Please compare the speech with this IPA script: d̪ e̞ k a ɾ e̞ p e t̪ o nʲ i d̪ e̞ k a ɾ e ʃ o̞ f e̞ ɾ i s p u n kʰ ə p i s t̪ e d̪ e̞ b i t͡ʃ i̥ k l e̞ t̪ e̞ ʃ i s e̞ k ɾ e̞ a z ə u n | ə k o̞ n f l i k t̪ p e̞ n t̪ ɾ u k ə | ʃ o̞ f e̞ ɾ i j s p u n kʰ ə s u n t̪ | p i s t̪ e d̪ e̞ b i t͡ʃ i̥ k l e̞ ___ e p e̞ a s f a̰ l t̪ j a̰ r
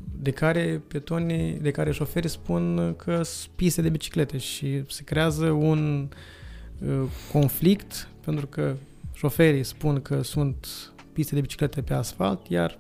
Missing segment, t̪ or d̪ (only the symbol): t̪